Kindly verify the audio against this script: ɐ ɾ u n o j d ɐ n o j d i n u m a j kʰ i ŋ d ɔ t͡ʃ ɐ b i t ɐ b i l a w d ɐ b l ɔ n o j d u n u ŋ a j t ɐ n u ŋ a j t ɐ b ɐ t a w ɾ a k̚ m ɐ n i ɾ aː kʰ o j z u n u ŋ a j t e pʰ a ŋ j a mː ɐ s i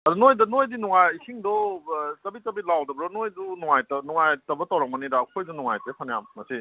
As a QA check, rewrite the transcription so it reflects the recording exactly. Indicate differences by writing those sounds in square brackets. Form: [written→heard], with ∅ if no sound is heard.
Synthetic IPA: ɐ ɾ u n o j d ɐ n o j d i n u [m→ŋ] a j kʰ i ŋ d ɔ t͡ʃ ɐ b i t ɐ b i l a w d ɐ b [l→ɾ] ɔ n o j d u n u ŋ a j t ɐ n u ŋ a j t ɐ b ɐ t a w ɾ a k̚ m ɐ n i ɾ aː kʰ o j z u n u ŋ a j t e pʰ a [ŋ→n] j a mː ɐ s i